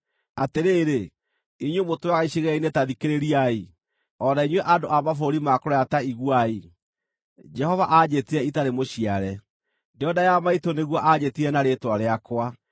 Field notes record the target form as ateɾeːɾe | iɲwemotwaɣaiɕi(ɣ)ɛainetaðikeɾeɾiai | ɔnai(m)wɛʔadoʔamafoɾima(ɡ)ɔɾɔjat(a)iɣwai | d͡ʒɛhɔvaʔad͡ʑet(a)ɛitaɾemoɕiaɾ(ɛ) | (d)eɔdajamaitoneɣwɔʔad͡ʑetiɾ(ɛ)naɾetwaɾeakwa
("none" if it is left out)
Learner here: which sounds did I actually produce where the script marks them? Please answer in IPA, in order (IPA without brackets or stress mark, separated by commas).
ɣ, ɲ, k, a, i, ɛ, d, ɛ